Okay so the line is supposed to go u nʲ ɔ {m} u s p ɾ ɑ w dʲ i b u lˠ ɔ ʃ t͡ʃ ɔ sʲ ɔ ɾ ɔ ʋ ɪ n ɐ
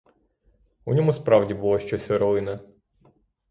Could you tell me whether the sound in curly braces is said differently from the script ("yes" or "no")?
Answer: no